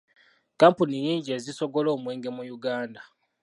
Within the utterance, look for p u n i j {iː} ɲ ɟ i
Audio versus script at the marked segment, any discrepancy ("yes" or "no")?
no